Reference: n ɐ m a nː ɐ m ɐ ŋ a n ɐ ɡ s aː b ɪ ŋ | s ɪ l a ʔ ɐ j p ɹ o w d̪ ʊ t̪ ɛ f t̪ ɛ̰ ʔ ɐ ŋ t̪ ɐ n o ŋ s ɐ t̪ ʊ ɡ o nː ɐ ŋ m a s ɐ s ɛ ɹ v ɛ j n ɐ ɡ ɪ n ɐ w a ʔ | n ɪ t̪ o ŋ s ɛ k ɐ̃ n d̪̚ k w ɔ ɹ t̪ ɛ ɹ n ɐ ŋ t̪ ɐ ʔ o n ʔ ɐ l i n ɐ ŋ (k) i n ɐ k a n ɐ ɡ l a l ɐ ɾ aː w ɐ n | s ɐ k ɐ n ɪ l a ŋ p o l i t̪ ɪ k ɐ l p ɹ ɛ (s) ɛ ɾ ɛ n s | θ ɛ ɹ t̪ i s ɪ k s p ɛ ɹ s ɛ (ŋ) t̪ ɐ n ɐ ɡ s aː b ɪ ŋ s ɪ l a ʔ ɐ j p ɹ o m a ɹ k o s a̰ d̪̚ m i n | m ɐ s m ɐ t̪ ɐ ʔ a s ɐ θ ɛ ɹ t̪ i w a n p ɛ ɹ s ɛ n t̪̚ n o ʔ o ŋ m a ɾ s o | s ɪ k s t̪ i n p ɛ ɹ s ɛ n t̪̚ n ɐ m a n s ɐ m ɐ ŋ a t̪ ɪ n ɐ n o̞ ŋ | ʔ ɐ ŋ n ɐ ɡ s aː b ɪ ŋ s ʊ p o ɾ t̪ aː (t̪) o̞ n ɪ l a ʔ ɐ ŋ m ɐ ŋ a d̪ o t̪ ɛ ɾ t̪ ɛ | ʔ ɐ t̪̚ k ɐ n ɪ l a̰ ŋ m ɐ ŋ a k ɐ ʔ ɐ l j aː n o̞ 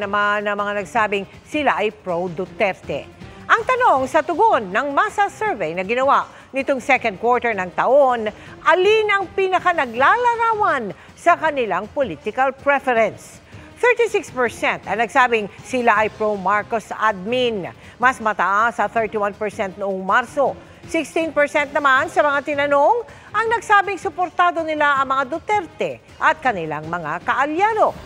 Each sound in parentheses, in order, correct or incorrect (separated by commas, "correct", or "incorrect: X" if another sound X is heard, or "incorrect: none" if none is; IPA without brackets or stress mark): incorrect: p, incorrect: f, incorrect: n, incorrect: d̪